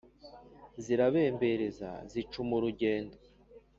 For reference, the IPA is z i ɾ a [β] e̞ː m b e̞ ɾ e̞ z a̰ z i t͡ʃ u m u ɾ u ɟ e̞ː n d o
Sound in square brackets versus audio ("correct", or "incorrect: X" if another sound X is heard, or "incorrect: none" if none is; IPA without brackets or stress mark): correct